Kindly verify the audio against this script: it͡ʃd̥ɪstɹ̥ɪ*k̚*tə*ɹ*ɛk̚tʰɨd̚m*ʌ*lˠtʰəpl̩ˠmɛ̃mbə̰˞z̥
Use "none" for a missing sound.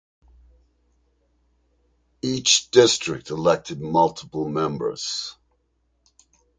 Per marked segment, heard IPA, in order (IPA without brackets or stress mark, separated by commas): k̚, l, ʌ